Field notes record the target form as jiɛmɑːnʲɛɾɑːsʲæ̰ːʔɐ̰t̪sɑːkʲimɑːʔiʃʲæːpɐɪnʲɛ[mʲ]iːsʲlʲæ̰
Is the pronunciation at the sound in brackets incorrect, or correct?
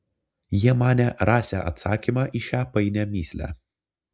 correct